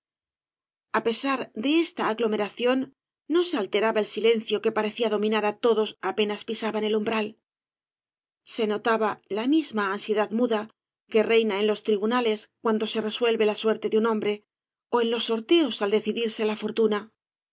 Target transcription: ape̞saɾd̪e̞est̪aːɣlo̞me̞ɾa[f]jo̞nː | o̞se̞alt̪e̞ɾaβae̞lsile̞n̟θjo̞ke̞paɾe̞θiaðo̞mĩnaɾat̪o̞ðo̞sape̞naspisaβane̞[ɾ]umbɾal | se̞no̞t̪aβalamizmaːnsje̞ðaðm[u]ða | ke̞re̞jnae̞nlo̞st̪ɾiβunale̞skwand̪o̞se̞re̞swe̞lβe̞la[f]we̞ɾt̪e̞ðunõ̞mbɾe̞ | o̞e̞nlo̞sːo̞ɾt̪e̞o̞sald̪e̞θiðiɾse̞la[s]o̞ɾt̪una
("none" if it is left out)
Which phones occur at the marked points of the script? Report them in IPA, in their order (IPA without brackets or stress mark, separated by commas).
θ, l, u, s, f